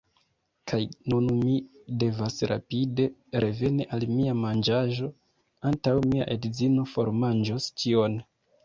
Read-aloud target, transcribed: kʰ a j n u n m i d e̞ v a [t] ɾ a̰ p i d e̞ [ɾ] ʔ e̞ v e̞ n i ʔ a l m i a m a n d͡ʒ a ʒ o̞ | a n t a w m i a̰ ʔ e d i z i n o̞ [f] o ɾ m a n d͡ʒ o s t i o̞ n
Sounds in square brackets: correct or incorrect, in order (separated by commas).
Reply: incorrect, correct, correct